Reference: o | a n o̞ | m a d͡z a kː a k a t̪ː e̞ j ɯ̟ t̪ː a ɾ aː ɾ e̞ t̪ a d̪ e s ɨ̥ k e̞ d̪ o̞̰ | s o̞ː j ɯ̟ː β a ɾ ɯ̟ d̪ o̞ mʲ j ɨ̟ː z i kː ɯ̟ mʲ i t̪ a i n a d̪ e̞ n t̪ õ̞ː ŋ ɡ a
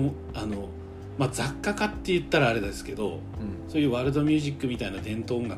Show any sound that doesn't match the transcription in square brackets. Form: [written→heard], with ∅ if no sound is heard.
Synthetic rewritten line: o | a n o̞ | m a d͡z a kː a k a t̪ː e̞ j ɯ̟ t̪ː a ɾ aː ɾ e̞ [t̪→d̪] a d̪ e s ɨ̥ k e̞ d̪ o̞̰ | s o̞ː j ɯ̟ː β a ɾ ɯ̟ d̪ o̞ mʲ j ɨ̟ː [z→ʑ] i kː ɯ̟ mʲ i t̪ a i n a d̪ [e̞→ẽ̞] n t̪ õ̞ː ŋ ɡ a